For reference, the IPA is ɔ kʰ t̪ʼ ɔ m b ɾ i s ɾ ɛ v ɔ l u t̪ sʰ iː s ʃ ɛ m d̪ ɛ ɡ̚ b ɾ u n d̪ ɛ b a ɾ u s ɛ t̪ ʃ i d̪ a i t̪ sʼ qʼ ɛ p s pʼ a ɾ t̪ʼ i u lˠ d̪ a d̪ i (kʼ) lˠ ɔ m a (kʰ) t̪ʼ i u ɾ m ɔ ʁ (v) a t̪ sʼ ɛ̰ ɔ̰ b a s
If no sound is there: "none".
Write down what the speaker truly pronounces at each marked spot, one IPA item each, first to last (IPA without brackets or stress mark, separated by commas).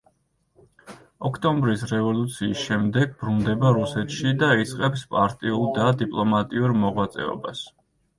pʼ, none, w